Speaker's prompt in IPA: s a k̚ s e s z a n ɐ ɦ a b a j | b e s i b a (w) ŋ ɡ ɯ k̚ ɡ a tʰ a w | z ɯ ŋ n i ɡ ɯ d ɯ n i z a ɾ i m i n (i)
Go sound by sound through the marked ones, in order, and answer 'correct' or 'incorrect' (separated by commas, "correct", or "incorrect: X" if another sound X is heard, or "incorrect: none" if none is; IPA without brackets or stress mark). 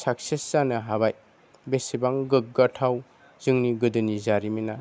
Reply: incorrect: none, incorrect: a